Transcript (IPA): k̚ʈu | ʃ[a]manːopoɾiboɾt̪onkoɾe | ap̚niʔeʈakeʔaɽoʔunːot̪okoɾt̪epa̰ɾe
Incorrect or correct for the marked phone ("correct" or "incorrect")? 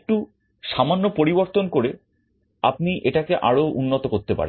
correct